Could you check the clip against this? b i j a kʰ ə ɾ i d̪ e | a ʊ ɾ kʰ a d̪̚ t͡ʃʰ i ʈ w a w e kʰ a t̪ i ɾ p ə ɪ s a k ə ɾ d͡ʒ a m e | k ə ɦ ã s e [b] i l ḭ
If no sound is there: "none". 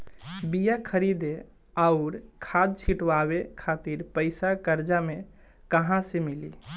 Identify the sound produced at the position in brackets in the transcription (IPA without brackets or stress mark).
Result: m